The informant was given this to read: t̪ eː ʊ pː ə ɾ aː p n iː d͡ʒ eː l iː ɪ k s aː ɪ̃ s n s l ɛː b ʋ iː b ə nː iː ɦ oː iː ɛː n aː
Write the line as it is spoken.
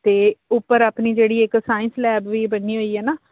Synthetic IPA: t̪ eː ʊ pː ə ɾ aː p n iː d͡ʒ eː ɽ iː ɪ k s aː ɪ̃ n s l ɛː b ʋ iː b ə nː iː ɦ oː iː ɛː n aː